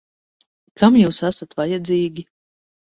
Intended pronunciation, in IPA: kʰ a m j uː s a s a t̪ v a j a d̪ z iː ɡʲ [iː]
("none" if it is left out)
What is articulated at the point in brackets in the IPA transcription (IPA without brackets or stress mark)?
i